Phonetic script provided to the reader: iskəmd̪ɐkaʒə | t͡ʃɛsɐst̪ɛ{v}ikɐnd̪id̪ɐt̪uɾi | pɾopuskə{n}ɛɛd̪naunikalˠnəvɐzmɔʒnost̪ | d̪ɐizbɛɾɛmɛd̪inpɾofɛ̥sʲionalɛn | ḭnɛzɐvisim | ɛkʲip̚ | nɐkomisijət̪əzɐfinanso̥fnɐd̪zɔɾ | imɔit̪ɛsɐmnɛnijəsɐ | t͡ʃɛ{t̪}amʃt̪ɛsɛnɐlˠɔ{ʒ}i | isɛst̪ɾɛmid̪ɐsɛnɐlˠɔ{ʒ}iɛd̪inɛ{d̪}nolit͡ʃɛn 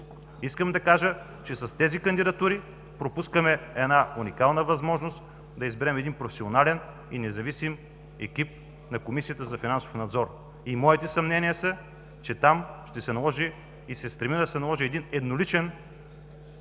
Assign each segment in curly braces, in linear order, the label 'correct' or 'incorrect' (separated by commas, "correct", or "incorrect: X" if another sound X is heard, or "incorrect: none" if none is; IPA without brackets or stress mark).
incorrect: z, incorrect: m, correct, correct, correct, correct